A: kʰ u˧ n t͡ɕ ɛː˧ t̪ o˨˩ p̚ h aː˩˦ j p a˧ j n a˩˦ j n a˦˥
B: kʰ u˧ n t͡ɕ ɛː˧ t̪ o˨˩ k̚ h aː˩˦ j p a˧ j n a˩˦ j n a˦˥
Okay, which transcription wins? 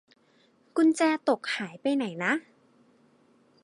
B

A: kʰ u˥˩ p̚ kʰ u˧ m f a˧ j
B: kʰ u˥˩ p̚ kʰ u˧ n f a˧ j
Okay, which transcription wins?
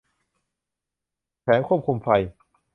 A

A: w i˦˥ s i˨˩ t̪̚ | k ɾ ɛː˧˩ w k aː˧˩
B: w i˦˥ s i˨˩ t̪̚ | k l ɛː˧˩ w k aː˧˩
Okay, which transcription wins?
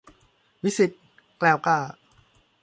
B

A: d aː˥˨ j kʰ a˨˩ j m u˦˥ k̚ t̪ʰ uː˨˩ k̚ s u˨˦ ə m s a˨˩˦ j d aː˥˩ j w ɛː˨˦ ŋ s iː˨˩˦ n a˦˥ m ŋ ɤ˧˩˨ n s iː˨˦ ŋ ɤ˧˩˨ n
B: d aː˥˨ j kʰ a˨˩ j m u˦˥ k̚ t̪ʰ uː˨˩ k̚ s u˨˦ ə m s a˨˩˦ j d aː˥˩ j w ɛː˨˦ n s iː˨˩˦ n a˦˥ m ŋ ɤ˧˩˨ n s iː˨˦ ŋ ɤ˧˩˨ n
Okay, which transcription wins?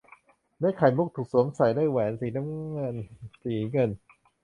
B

